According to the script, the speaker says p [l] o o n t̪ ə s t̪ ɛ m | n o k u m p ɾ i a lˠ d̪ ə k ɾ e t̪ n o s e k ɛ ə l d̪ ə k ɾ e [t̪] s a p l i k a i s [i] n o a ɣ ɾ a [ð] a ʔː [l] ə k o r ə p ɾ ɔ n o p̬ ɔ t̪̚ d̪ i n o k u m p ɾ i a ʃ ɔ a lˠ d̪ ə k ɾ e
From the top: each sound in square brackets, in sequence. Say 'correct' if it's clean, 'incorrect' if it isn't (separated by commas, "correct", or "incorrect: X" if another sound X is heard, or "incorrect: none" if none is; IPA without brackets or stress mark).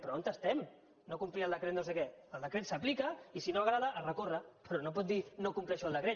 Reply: incorrect: ɾ, correct, correct, correct, incorrect: r